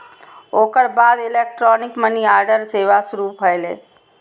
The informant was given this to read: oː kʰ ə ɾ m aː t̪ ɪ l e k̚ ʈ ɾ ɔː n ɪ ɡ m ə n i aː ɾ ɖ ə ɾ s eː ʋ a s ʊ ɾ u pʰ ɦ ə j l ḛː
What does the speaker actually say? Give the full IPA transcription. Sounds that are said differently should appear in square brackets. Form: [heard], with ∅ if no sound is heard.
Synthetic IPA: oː [k] ə ɾ [b] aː [d̪] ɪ l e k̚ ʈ ɾ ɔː n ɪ [k] m ə n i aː ɾ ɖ ə ɾ s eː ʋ a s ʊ ɾ u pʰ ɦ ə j l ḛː